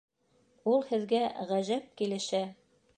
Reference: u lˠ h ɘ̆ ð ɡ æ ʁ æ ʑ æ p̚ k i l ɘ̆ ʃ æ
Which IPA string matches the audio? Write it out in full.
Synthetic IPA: u lˠ h ɘ̆ ð ɡ æ ʁ æ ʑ æ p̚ k i l ɘ̆ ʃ æ